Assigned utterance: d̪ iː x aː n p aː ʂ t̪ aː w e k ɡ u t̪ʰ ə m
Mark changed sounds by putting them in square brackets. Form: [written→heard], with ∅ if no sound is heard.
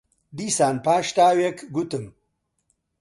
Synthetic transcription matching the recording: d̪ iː [x→s] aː n p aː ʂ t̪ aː w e k ɡ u [t̪ʰ→t̪] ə m

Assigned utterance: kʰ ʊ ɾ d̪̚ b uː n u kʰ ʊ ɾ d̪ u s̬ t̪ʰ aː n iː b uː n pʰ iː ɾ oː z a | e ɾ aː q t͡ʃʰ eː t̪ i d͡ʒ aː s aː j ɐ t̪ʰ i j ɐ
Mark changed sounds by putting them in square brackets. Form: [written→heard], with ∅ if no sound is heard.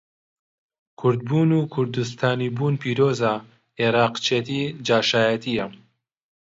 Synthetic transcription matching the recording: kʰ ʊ ɾ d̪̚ b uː n u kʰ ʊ ɾ d̪ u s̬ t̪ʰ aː n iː b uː n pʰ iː ɾ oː z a | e ɾ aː q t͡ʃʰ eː t̪ i d͡ʒ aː [s→ʃ] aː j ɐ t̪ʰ i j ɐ

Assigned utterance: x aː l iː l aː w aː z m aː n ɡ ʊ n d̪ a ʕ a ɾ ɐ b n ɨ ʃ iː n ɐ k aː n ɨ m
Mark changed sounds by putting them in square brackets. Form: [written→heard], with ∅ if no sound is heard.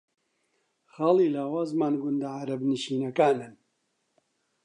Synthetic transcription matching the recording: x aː l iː l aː w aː z m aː n ɡ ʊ n d̪ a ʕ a ɾ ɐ b n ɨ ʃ iː n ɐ k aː n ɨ [m→n]

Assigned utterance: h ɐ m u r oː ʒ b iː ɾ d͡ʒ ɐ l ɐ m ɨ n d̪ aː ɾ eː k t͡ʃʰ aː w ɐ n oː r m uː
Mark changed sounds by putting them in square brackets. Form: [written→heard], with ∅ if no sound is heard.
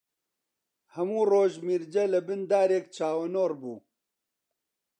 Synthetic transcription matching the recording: h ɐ m [u→uː] r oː ʒ [b→m] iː ɾ d͡ʒ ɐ l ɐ [m→b] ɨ n d̪ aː ɾ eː k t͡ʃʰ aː w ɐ n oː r [m→b] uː

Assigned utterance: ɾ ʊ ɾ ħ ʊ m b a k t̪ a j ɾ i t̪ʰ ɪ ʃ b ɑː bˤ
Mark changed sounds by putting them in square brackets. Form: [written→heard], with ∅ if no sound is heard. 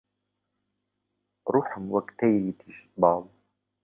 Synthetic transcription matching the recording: ɾ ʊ [ɾ→∅] ħ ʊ m [b→w] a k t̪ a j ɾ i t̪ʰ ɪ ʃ b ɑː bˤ

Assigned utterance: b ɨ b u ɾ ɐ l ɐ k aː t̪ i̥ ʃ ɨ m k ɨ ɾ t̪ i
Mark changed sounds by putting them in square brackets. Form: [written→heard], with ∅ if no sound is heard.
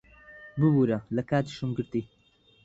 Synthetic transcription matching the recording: b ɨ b u ɾ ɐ l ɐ k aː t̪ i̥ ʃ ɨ m [k→ɡ] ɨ ɾ t̪ i

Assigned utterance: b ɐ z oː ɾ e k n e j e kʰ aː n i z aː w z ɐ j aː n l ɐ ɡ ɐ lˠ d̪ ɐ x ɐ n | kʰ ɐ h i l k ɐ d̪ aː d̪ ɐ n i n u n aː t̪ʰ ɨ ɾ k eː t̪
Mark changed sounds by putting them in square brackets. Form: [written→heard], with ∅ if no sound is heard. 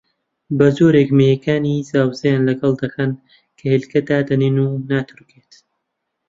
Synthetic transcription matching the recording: b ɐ z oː ɾ e k [n→m] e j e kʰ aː n i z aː w z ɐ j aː n l ɐ ɡ ɐ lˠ d̪ ɐ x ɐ n | kʰ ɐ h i l k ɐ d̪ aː d̪ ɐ n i n u n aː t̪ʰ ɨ ɾ k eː t̪

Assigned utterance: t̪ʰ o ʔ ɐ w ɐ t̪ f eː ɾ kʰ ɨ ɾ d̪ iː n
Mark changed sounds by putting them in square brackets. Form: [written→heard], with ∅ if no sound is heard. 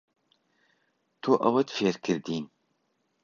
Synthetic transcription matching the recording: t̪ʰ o ʔ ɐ w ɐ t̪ f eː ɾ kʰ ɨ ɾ d̪ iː n

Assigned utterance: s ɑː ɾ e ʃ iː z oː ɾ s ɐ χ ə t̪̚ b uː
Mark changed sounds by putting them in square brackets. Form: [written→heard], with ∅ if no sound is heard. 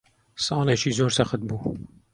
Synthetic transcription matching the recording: s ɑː [ɾ→l] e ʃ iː z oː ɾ s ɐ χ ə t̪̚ b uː

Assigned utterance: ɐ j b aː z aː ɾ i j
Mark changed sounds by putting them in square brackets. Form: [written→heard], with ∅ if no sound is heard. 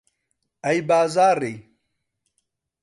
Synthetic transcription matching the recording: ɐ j b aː z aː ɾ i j

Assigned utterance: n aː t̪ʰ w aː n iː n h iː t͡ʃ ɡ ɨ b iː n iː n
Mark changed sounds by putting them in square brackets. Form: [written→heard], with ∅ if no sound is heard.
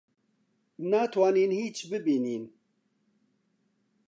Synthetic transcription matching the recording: n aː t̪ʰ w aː n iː n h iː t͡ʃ [ɡ→b] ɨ b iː n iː n

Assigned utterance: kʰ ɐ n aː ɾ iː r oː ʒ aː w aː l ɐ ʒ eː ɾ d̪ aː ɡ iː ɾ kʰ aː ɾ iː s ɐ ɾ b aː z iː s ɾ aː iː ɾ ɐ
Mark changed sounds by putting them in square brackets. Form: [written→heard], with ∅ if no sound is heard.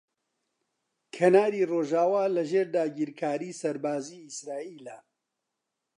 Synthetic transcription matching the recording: kʰ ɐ n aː ɾ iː r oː ʒ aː w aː l ɐ ʒ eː ɾ d̪ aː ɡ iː ɾ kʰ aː ɾ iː s ɐ ɾ b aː z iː s ɾ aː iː [ɾ→l] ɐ

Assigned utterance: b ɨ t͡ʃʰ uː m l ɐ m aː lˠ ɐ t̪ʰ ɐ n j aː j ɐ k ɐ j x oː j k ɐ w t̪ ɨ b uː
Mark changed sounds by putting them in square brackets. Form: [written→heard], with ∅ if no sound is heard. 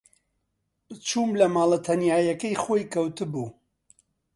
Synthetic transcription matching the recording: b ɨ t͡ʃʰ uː m l ɐ m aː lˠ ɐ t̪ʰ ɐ n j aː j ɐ k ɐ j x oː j k ɐ w t̪ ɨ b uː

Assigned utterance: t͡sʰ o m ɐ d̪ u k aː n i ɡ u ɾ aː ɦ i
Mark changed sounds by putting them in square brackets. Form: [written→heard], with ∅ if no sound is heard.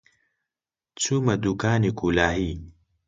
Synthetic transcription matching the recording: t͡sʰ [o→u] m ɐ d̪ u k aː n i [ɡ→k] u [ɾ→l] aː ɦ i

